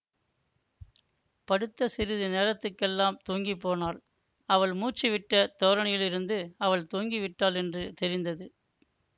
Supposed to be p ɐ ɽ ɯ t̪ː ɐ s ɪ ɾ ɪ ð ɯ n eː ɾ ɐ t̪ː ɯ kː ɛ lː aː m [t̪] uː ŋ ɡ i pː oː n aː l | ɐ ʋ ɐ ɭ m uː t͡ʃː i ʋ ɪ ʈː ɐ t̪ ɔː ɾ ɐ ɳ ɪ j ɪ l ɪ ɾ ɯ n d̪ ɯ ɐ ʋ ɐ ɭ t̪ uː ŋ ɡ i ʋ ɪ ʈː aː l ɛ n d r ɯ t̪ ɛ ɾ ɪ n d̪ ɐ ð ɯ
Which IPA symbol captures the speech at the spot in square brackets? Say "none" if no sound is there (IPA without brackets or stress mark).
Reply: t̪